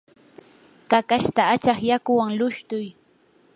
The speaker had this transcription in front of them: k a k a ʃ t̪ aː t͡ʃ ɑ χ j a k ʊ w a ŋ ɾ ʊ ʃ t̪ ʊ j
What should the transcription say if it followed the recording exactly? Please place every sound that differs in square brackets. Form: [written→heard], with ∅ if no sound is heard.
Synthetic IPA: k a k a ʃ t̪ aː t͡ʃ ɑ χ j a k ʊ w a ŋ [ɾ→l] ʊ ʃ t̪ ʊ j

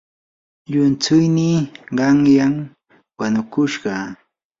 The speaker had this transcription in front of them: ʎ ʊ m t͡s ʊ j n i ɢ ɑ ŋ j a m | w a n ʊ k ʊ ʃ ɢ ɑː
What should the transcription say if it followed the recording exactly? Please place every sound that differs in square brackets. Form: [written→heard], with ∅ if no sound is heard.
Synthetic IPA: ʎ ʊ [m→n] t͡s ʊ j n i ɢ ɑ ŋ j a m | w a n ʊ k ʊ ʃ ɢ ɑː

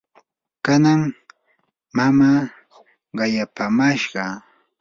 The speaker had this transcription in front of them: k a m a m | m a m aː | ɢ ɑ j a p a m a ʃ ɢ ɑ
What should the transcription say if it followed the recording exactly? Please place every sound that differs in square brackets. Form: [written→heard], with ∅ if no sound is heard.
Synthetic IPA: k a [m→n] a [m→ŋ] | m a m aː | ɢ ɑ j a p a m a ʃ ɢ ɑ

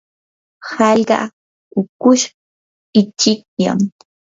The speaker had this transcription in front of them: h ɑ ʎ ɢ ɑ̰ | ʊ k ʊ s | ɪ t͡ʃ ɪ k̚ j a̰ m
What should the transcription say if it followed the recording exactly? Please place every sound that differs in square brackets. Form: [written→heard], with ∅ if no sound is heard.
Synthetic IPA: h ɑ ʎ ɢ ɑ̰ | ʊ k ʊ [s→ʃ] | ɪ t͡ʃ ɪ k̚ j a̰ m

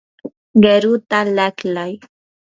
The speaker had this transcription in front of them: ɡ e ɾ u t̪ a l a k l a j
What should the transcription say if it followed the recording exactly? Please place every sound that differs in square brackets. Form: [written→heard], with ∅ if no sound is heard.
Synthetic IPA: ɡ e ɾ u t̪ a l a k l a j

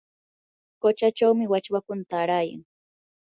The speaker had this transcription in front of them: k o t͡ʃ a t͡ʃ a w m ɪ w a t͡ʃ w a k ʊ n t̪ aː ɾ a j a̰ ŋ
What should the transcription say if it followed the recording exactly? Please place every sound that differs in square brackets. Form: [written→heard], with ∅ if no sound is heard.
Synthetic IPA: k o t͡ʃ a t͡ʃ a w m ɪ w a t͡ʃ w a k ʊ n t̪ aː ɾ a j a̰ ŋ

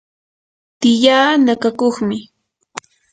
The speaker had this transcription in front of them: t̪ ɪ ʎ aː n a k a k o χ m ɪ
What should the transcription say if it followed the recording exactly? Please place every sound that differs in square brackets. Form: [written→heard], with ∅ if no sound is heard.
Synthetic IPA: t̪ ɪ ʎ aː n a k a k o χ m ɪ

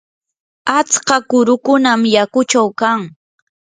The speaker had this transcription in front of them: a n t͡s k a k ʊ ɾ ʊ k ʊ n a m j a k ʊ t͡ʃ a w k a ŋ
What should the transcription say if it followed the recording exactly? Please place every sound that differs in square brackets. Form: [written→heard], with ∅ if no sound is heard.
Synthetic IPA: a [n→∅] t͡s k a k ʊ ɾ ʊ k ʊ n a m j a k ʊ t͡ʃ a w k a ŋ

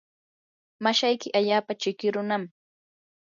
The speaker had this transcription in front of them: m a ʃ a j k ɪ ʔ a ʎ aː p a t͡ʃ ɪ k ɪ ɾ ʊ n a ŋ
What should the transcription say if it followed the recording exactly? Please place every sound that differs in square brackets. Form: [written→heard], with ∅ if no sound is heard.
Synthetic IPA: m a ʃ a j k ɪ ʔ a ʎ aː p a t͡ʃ ɪ k ɪ ɾ ʊ n a [ŋ→m]

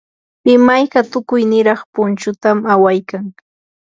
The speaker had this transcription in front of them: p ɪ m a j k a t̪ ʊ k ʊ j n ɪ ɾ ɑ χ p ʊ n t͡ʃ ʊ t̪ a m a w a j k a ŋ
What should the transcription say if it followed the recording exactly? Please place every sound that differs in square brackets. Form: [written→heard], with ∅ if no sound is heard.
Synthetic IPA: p ɪ m a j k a t̪ ʊ k ʊ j n ɪ ɾ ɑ χ p ʊ n t͡ʃ ʊ t̪ a m a w a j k a ŋ

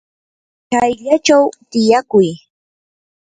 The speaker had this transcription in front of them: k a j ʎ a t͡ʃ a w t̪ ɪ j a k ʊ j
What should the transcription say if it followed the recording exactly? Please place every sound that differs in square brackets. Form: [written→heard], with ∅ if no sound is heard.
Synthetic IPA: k a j ʎ a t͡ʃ a w t̪ ɪ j a k ʊ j

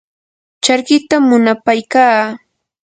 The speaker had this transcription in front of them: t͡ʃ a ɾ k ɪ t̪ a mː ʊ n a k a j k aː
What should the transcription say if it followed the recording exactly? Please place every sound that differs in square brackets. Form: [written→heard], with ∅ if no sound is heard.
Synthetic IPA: t͡ʃ a ɾ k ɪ t̪ a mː ʊ n a [k→p] a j k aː

